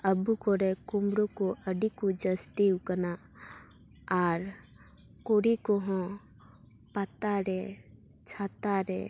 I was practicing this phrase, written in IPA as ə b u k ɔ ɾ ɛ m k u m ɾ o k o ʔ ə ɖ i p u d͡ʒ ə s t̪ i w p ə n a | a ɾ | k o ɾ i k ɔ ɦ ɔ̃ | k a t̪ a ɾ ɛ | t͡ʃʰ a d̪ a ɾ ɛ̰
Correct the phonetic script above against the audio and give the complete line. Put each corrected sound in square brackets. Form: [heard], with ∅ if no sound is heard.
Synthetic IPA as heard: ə b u k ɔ ɾ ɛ [∅] k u m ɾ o k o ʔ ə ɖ i [k] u d͡ʒ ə s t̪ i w [k] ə n a | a ɾ | k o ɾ i k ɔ ɦ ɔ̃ | [p] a t̪ a ɾ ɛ | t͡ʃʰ a [t̪] a ɾ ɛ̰

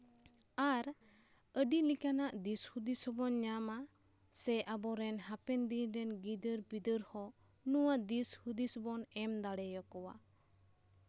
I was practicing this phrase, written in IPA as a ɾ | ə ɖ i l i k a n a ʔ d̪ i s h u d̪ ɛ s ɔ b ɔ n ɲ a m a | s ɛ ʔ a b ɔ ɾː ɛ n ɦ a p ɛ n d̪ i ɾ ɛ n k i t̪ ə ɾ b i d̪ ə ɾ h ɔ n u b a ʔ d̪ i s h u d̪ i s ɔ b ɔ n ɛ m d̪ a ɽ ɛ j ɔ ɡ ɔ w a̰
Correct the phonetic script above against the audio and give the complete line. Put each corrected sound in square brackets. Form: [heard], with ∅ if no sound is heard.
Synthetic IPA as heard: a ɾ | ə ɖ i l i k a n a ʔ d̪ i s h u d̪ [i] s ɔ b ɔ n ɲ a m a | s ɛ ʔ a b ɔ [ɾ] ɛ n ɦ a p ɛ n d̪ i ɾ ɛ n [ɡ] i [d̪] ə ɾ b i d̪ ə ɾ h ɔ n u [w] a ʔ d̪ i s h u d̪ i s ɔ b ɔ n ɛ m d̪ a ɽ ɛ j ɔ [k] ɔ w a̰

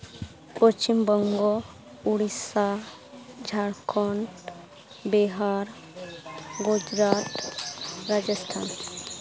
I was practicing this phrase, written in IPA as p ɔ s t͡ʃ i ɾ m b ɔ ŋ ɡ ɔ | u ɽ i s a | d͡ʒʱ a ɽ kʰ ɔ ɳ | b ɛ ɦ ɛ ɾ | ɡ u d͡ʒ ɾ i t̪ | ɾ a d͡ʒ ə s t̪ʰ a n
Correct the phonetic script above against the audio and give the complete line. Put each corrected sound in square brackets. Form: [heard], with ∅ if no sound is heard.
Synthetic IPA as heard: p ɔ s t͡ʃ i [∅] m b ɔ ŋ ɡ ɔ | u ɽ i s a | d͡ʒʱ a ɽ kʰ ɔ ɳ | b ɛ ɦ [a] ɾ | ɡ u d͡ʒ ɾ [a] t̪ | ɾ a d͡ʒ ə s t̪ʰ a n

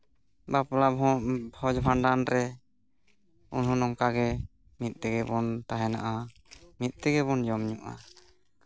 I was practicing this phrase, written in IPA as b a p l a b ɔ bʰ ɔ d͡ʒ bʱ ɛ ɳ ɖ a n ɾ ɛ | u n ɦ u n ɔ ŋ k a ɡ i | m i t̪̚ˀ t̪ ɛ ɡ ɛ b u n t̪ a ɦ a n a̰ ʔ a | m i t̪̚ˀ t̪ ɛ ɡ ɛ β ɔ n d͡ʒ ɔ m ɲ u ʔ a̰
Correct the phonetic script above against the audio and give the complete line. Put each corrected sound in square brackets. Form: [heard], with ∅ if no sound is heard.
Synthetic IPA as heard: b a p l a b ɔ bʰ ɔ d͡ʒ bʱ [a] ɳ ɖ a n ɾ ɛ | u n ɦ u n ɔ ŋ k a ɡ [ɛ] | m i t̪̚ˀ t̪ ɛ ɡ ɛ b [ɔ] n t̪ a ɦ [ɛ] n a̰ ʔ a | m i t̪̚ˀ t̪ ɛ ɡ ɛ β ɔ n d͡ʒ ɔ m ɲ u ʔ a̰

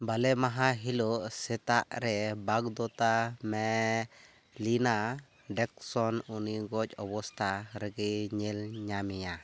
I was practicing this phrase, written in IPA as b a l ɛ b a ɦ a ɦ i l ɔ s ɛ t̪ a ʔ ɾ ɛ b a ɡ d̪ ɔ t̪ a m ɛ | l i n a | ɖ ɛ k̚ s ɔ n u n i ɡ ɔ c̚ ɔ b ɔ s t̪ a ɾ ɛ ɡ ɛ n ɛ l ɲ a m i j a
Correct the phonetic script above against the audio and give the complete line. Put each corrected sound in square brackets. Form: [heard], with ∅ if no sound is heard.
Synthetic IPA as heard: b a l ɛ [m] a ɦ a ɦ i l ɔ s ɛ t̪ a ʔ ɾ ɛ b a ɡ d̪ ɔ t̪ a m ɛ | l i n a | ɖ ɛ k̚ s ɔ n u n i ɡ ɔ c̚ ɔ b ɔ s t̪ a ɾ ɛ ɡ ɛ [ɲ] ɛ l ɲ a m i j a

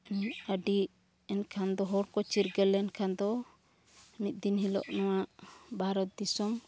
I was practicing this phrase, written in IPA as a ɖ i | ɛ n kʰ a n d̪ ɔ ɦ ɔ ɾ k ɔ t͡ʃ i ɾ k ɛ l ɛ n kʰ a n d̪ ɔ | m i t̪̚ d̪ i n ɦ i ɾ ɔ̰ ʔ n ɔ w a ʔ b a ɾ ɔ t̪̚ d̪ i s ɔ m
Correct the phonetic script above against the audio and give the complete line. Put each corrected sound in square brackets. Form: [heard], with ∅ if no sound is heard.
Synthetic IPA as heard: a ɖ i | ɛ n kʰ a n d̪ ɔ ɦ ɔ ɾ k ɔ t͡ʃ i ɾ [ɡ] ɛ l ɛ n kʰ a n d̪ ɔ | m i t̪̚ d̪ i n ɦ i [l] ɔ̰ ʔ n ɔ w a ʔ b a ɾ ɔ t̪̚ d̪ i s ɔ m

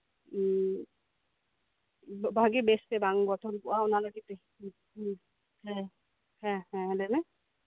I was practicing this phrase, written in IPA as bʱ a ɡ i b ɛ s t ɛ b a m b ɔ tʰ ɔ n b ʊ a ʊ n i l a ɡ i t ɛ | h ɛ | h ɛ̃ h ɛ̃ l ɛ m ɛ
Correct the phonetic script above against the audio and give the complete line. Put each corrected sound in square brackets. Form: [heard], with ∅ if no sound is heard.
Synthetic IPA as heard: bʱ a ɡ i b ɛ s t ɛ b a [ŋ] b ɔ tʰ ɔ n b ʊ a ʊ n [a] l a ɡ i t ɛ | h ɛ | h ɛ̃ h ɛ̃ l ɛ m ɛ

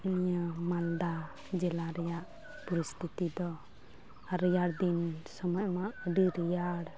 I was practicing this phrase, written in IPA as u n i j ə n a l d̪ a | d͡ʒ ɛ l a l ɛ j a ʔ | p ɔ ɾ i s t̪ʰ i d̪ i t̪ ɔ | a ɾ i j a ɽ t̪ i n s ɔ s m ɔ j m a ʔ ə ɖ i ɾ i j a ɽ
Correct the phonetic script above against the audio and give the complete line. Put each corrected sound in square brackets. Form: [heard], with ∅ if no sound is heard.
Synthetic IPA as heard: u n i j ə [m] a l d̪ a | d͡ʒ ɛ l a [ɾ] ɛ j a ʔ | p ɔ ɾ i s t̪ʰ i [t̪] i [d̪] ɔ | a ɾ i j a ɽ [d̪] i n s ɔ [∅] m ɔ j m a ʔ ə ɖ i ɾ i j a ɽ

